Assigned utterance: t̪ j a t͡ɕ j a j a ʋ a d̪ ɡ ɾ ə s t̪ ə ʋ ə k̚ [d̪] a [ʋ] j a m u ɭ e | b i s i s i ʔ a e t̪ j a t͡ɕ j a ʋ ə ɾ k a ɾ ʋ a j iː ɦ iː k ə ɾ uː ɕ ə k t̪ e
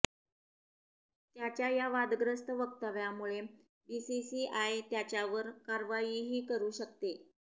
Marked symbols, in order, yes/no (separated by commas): no, yes